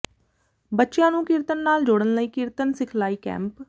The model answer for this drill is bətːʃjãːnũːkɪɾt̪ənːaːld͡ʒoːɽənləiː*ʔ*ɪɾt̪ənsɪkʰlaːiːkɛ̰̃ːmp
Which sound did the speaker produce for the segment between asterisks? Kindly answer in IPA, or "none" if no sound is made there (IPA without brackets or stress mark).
k